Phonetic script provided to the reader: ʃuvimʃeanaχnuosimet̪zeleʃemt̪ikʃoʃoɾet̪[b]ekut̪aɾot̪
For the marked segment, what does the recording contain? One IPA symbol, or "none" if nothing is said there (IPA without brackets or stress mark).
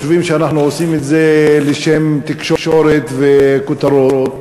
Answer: v